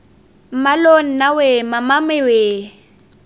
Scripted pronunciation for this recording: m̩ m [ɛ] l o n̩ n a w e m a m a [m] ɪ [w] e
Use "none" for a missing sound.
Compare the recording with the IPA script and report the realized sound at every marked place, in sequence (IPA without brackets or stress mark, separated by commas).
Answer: a, m, w